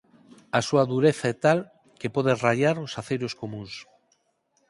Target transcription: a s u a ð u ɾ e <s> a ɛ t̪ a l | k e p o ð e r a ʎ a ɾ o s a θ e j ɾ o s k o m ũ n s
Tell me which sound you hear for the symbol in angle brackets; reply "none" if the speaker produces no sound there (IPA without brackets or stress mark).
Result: θ